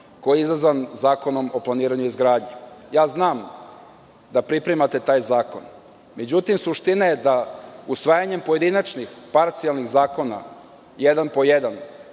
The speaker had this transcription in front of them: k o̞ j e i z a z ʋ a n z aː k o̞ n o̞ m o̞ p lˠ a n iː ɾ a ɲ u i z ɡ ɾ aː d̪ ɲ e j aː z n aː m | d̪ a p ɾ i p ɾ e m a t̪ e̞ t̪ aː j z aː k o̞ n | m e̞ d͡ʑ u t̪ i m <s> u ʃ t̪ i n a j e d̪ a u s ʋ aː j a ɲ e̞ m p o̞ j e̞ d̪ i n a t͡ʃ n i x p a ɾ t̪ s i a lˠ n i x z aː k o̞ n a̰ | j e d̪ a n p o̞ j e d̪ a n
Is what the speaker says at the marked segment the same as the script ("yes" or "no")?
yes